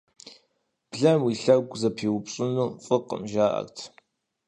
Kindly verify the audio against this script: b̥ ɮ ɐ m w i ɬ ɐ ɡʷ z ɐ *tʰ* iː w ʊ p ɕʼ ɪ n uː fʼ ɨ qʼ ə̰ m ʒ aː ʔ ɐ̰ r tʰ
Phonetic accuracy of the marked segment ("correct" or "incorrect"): incorrect